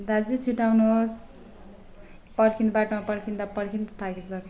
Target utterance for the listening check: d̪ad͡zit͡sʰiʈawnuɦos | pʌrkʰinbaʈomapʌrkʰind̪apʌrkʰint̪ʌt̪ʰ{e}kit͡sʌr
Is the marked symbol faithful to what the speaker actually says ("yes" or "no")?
no